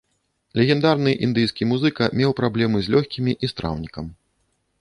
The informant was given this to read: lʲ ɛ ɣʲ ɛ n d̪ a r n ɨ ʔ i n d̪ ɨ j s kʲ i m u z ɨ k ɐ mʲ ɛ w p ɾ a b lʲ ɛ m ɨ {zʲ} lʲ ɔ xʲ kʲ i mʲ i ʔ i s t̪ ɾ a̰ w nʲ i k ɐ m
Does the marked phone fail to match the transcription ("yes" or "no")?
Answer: no